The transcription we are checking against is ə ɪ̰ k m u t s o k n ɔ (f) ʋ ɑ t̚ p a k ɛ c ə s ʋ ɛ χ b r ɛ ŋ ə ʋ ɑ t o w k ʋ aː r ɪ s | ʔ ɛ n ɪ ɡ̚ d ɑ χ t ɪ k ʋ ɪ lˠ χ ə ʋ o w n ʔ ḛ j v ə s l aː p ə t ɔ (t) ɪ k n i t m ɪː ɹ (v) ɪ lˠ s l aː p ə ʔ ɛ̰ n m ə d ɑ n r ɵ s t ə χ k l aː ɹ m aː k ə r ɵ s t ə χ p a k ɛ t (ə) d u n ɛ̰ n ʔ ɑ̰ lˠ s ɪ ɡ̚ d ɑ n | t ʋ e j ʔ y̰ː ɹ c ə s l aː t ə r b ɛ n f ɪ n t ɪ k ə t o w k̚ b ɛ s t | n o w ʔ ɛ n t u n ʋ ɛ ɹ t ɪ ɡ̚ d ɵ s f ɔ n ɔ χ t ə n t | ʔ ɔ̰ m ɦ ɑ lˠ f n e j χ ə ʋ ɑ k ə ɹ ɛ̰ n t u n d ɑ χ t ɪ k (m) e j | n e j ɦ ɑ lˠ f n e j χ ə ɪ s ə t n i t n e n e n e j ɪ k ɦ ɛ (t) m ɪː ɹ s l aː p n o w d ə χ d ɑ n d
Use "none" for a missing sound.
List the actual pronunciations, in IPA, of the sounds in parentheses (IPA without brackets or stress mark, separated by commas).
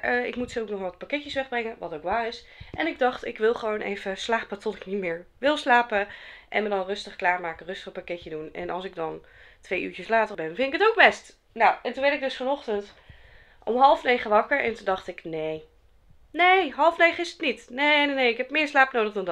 χ, t, ʋ, ə, n, p